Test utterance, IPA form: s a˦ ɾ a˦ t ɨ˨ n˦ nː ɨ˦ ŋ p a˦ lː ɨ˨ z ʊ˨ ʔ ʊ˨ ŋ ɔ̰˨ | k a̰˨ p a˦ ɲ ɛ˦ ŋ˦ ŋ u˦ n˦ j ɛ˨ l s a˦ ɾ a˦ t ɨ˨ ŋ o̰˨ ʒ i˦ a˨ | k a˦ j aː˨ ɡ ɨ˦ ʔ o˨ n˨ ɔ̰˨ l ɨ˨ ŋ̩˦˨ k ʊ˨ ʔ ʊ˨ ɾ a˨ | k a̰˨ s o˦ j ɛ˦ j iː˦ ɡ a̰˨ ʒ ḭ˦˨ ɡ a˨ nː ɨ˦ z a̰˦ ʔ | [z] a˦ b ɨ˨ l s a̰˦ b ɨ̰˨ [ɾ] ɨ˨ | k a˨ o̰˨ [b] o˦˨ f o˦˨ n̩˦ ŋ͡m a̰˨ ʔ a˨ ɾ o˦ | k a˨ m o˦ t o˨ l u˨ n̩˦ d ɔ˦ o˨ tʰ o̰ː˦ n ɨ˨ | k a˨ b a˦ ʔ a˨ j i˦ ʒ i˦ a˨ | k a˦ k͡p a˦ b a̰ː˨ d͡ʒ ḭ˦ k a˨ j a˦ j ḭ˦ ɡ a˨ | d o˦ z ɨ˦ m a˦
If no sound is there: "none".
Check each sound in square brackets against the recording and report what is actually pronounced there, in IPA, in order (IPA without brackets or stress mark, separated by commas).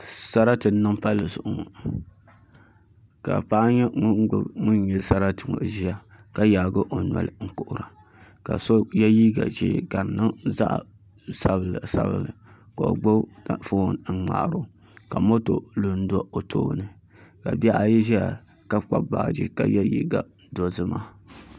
s, l, ɡ͡b